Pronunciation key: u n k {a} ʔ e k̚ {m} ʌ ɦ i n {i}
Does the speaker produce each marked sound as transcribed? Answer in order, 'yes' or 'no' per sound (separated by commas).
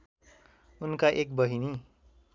yes, no, yes